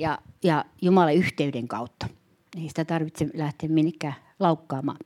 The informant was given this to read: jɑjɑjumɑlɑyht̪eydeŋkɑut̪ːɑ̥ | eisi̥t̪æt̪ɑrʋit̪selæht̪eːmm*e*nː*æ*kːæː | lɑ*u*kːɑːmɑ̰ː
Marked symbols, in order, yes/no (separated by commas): no, no, yes